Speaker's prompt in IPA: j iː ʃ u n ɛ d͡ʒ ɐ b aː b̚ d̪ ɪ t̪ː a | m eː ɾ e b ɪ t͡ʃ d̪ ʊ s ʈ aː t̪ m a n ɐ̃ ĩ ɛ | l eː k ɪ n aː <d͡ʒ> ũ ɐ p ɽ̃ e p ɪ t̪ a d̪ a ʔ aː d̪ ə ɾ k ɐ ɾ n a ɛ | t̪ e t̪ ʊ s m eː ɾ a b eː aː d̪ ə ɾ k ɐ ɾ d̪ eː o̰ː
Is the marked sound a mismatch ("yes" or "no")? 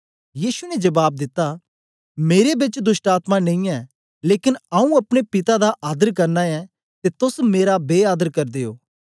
yes